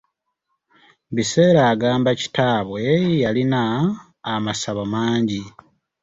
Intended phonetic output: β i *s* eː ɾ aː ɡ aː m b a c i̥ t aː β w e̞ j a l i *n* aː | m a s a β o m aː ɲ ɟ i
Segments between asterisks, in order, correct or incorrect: correct, correct

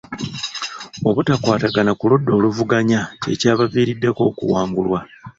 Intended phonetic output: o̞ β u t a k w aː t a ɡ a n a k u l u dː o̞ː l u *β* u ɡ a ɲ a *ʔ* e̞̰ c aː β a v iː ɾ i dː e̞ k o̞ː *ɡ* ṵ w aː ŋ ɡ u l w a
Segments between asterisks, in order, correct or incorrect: incorrect: v, incorrect: c, incorrect: k

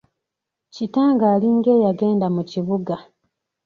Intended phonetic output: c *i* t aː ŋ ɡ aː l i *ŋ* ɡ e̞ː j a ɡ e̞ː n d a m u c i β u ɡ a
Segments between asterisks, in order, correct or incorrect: correct, correct

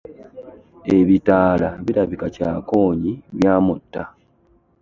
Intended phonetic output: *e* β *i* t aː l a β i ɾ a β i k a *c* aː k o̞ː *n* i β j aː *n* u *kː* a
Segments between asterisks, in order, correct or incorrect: correct, correct, correct, incorrect: ɲ, incorrect: m, incorrect: tː

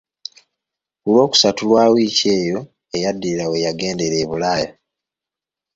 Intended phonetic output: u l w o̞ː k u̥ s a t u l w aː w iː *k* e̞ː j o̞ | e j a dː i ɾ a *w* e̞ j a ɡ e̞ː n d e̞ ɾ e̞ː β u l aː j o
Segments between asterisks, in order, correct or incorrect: incorrect: c, correct

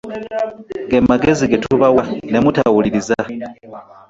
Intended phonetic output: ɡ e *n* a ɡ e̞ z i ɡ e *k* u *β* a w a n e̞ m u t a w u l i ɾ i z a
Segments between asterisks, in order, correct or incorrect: incorrect: m, incorrect: t, correct

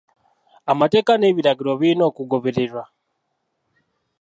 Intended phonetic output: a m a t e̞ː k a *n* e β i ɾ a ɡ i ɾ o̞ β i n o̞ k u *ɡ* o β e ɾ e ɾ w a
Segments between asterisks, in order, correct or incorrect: correct, correct

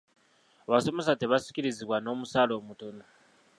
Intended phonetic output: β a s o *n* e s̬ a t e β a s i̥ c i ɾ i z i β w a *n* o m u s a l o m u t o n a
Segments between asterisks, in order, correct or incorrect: incorrect: m, correct

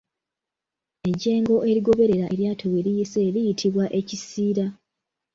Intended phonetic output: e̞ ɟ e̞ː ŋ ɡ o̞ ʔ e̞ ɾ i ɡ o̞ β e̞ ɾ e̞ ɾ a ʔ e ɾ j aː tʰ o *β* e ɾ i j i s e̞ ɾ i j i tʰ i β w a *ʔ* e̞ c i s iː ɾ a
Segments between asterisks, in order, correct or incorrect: incorrect: w, correct

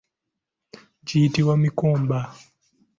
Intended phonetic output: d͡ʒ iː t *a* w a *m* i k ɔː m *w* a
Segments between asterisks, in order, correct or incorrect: incorrect: i, correct, incorrect: b

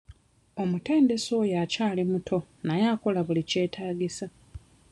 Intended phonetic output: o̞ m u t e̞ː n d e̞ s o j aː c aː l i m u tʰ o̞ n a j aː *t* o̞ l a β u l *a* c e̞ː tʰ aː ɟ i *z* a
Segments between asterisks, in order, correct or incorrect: incorrect: k, incorrect: i, incorrect: s

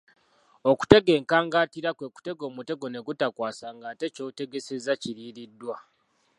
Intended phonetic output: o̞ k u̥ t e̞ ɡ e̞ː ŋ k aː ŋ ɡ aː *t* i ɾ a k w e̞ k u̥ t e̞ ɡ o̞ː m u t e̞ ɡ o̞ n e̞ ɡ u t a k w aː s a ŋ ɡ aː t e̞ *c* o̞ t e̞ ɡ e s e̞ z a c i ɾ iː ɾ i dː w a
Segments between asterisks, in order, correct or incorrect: correct, correct

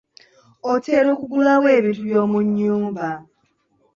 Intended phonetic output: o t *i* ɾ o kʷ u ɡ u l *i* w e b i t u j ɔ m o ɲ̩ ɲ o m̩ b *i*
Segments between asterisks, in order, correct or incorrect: incorrect: e, incorrect: a, incorrect: a

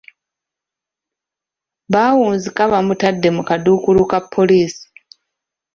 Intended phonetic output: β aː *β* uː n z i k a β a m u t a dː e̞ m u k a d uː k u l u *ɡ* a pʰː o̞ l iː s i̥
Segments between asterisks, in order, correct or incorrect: incorrect: w, incorrect: k

